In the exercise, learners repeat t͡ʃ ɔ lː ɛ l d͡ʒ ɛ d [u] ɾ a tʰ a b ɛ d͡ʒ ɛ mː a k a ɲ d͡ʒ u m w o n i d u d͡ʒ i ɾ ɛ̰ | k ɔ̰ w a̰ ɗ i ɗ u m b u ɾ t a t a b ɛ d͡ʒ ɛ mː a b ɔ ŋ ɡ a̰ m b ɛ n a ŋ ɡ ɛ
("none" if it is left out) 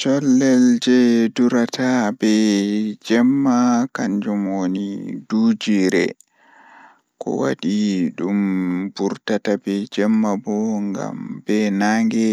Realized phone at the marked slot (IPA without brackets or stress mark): u